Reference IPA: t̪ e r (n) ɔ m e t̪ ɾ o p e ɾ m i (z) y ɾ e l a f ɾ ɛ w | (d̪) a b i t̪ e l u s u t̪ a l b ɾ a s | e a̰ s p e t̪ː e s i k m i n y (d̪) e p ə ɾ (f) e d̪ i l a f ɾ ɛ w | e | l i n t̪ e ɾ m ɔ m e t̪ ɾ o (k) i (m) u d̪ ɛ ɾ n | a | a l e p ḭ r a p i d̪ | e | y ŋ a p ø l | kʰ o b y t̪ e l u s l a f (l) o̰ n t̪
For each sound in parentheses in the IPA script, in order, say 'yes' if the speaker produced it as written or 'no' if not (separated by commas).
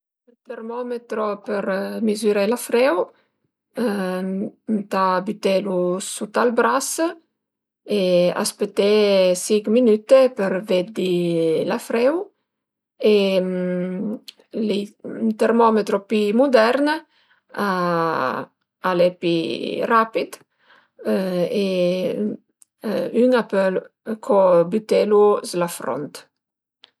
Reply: no, yes, no, no, no, no, yes, no